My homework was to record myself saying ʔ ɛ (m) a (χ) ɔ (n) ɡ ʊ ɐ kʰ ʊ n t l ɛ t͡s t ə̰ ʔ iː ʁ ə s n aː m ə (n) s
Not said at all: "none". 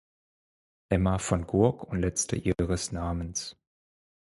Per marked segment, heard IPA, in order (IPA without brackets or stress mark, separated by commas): m, f, n, n